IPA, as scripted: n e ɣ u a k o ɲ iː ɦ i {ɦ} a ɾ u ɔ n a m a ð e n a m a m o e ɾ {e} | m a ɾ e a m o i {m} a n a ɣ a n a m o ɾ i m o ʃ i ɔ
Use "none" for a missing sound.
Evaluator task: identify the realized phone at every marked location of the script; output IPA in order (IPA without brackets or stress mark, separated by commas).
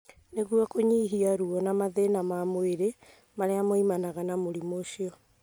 none, e, m